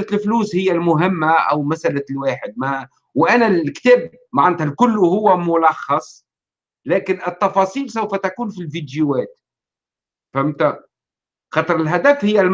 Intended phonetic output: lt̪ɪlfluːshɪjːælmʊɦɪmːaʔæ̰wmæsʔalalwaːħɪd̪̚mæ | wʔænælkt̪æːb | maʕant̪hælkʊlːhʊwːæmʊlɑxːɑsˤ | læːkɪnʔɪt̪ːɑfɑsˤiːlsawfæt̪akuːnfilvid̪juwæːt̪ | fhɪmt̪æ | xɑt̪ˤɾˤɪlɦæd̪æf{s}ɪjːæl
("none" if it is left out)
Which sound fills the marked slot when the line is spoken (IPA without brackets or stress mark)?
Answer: h